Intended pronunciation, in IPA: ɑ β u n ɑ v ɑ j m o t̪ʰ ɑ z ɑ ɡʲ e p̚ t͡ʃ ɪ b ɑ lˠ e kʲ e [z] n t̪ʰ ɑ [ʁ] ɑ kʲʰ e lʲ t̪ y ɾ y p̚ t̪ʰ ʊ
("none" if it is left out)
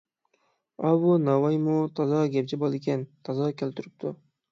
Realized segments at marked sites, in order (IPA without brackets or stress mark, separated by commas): none, z